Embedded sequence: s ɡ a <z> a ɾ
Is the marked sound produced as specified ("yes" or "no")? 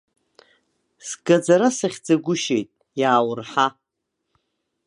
no